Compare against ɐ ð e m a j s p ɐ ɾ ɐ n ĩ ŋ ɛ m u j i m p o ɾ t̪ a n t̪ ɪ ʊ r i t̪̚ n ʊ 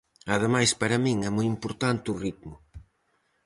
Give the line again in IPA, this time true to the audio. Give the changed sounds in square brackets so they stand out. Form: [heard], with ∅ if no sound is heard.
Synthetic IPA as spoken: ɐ ð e m a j s p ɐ ɾ ɐ [m] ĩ ŋ ɛ m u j i m p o ɾ t̪ a n t̪ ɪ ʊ r i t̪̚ [m] ʊ